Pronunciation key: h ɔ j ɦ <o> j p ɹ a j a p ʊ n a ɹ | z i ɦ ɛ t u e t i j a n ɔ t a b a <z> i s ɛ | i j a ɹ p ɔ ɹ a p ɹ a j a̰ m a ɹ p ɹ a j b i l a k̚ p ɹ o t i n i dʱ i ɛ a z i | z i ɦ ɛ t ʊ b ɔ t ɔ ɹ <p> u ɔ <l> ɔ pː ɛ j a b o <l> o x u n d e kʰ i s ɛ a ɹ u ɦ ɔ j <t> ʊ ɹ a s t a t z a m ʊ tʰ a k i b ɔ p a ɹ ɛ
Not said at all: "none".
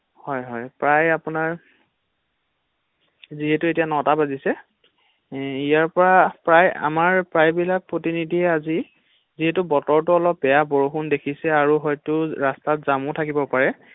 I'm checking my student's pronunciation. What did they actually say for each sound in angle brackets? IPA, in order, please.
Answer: ɔ, z, t, l, ɹ, t

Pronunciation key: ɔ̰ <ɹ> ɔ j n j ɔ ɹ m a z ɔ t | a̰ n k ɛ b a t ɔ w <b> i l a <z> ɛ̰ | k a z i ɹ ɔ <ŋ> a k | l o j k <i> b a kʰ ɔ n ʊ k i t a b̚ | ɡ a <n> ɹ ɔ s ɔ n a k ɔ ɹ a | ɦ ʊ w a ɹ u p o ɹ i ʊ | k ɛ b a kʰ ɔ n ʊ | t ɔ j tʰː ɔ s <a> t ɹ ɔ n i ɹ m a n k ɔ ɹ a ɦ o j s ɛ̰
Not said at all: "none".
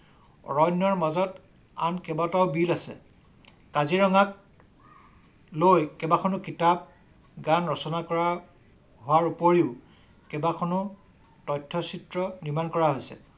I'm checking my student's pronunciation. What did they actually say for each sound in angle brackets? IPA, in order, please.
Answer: ɹ, b, s, ŋ, ɛ, n, i

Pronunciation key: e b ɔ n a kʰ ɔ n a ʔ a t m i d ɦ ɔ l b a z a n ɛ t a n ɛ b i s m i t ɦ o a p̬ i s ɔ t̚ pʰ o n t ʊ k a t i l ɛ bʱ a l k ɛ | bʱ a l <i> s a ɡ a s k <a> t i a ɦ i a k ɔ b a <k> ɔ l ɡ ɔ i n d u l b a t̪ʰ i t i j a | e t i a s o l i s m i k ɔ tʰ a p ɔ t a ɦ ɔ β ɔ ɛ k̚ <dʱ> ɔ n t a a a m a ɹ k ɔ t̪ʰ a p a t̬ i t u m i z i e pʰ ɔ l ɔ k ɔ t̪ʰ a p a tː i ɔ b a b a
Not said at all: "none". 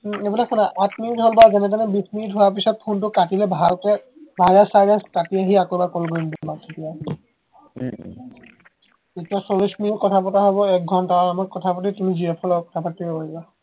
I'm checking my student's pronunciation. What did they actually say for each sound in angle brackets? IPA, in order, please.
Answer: a, a, k, ɡʱ

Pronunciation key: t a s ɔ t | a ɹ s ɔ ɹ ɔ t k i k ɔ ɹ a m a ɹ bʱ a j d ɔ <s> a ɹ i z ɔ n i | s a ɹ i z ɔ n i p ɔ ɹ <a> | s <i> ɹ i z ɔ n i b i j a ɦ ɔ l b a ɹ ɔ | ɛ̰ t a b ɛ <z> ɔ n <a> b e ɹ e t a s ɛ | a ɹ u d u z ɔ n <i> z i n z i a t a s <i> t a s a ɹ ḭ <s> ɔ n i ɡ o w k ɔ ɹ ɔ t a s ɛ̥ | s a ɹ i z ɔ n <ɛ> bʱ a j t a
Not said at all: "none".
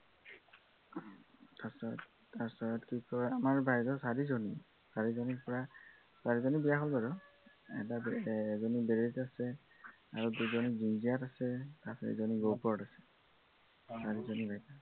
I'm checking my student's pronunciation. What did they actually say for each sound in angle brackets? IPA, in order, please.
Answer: s, a, a, z, i, i, ɛ, z, i

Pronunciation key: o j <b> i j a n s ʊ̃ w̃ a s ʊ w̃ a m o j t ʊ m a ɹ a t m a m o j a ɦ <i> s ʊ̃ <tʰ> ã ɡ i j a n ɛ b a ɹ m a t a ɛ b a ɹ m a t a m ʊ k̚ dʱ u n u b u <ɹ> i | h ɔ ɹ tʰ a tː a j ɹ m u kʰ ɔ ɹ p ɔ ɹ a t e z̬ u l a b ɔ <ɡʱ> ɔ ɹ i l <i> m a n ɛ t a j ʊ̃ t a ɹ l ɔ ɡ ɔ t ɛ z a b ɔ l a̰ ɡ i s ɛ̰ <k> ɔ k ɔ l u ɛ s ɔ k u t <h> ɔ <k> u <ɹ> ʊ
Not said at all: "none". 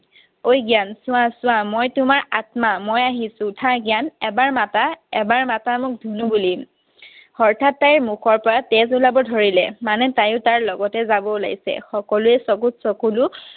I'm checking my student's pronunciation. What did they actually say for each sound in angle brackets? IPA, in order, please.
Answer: ɡ, i, tʰ, l, dʱ, ɛ, x, s, k, l

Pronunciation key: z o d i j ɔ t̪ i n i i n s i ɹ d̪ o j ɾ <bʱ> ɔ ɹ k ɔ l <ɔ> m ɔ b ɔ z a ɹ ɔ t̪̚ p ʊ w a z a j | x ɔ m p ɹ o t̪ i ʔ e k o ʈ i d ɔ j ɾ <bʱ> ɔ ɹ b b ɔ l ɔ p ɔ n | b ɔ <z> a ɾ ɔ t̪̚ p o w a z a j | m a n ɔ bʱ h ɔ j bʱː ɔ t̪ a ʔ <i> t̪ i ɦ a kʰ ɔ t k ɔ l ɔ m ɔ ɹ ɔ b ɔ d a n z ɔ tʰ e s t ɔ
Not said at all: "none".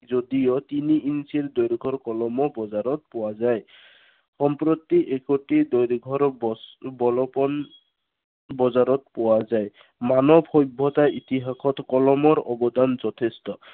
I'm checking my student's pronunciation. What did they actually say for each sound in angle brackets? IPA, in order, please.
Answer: ɡʱ, ɔ, ɡʱ, z, i

